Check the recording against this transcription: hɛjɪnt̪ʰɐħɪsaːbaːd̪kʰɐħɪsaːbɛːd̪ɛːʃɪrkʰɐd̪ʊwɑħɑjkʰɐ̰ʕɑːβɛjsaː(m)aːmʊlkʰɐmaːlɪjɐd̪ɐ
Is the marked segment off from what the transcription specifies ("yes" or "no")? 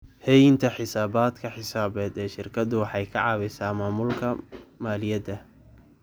no